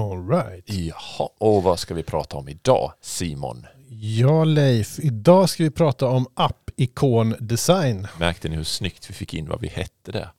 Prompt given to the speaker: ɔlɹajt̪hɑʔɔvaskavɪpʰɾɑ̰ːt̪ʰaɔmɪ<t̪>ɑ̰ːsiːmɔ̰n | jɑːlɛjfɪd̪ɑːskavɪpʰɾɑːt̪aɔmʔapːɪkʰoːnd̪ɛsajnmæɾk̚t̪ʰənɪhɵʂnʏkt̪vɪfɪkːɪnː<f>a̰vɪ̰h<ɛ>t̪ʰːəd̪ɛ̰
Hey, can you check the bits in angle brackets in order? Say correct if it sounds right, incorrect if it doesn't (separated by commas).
incorrect, incorrect, correct